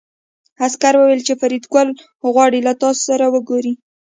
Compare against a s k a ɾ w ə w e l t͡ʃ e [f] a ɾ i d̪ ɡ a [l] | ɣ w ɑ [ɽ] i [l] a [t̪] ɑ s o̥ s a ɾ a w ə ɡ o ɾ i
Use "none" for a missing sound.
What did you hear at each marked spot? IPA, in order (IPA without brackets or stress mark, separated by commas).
f, l, ɽ, l, t̪